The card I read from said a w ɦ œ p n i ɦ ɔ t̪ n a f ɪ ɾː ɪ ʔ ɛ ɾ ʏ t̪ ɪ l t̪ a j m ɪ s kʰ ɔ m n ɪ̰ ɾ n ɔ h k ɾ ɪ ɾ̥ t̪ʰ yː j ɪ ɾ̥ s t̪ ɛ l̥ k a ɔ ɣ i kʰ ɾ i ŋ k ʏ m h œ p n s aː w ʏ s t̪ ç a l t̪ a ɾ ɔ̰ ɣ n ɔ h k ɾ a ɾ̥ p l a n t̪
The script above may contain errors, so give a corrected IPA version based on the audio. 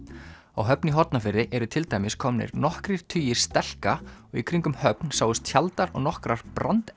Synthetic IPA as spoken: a w ɦ œ p n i ɦ ɔ t̪ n a f ɪ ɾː ɪ ʔ ɛ ɾ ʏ t̪ʰ ɪ l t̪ a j m ɪ s kʰ ɔ m n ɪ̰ ɾ n ɔ h k ɾ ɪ ɾ̥ t̪ʰ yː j ɪ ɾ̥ s t̪ ɛ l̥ k a ɔ ɣ i kʰ ɾ i ŋ k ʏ m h œ p n s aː w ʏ s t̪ ç a l t̪ a ɾ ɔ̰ ɣ n ɔ h k ɾ a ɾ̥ p ɾ a n t̪